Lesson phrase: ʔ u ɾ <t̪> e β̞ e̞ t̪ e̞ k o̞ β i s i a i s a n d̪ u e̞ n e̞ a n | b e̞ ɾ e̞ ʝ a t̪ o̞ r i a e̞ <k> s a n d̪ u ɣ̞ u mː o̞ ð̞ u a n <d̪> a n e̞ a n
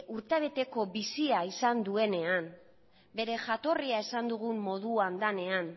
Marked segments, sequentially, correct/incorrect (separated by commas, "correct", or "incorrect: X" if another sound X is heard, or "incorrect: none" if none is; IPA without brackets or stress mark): correct, incorrect: none, correct